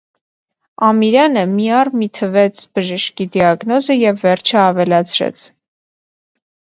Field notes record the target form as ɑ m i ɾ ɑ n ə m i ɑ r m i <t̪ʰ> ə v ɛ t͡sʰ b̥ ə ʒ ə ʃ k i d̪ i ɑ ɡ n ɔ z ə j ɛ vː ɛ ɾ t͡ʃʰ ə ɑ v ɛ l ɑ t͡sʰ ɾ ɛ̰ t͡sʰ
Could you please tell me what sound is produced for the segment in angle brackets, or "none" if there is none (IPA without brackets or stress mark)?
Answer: t̪ʰ